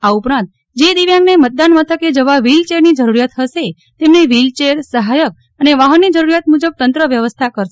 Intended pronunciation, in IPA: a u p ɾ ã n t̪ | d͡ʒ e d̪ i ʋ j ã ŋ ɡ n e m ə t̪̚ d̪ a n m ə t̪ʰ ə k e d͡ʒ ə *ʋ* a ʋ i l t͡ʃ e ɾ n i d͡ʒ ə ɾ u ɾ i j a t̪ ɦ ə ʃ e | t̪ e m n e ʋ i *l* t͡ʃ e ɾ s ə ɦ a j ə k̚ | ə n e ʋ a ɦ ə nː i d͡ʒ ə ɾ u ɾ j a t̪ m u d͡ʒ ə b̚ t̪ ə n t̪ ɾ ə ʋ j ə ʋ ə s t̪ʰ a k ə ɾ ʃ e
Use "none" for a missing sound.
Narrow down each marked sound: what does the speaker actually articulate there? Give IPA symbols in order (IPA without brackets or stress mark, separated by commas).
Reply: ʋ, l